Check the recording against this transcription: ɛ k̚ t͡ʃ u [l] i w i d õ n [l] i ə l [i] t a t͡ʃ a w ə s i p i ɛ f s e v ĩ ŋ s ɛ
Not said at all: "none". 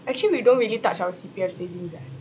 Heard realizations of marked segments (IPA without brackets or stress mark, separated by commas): l, ɹ, i